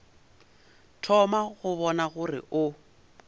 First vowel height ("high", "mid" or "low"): mid